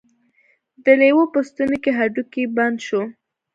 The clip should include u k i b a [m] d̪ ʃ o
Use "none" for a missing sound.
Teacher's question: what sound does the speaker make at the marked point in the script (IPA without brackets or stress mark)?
n